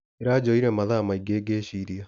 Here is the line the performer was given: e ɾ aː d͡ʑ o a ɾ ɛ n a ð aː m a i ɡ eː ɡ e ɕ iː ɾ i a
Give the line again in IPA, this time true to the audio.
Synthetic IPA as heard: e ɾ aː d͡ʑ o i ɾ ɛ m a ð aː m a i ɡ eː ɡ e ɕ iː ɾ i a